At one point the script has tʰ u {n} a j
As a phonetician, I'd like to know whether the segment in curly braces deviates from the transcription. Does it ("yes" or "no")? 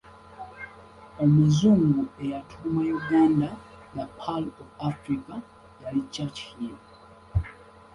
yes